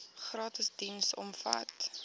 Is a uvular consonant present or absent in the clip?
present